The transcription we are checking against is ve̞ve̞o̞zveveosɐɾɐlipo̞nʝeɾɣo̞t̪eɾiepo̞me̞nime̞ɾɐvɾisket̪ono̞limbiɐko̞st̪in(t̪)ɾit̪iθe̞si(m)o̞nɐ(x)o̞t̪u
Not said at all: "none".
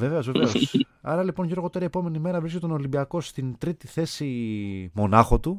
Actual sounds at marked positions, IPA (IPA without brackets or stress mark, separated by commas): t̪, m, x